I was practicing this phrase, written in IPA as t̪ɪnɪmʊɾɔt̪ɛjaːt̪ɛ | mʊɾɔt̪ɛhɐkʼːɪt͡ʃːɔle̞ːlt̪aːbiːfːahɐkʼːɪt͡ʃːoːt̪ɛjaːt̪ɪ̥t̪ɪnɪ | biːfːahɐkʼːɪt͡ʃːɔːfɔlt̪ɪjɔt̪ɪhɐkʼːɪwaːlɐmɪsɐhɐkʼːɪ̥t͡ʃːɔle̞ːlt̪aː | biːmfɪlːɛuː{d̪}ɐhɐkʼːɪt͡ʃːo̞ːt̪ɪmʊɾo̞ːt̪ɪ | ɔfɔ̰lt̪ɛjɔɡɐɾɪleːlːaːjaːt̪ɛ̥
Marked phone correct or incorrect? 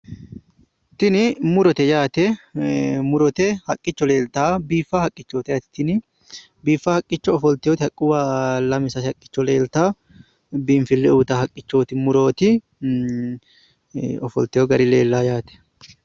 incorrect